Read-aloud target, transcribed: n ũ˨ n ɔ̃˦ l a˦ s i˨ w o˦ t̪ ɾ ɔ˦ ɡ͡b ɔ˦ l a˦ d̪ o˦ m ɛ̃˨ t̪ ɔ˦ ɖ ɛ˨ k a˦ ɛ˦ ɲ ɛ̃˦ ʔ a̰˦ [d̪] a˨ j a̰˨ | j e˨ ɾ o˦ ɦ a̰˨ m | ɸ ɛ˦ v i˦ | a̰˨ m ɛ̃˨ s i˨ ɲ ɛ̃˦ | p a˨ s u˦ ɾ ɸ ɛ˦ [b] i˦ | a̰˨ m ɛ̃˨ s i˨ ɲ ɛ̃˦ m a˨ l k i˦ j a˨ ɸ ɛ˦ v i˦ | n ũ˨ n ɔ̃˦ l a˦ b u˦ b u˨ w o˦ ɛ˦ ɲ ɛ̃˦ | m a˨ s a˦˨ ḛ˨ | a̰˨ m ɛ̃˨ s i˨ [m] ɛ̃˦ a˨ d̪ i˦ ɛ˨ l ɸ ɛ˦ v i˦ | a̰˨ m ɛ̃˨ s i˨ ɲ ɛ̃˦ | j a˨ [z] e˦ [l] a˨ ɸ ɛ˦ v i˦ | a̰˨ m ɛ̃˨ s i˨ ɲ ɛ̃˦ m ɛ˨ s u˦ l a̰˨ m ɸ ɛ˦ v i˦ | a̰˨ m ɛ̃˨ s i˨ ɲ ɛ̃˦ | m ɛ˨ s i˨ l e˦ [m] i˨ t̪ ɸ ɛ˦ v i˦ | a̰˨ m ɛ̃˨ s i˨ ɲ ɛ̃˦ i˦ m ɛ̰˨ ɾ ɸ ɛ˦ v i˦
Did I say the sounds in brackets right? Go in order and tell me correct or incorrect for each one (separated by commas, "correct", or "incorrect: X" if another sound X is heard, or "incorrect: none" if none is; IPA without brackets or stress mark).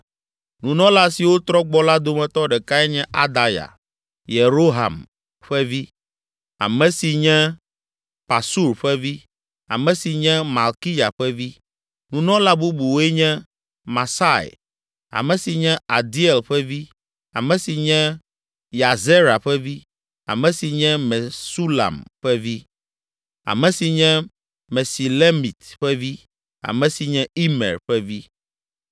correct, incorrect: v, incorrect: ɲ, correct, incorrect: ɾ, correct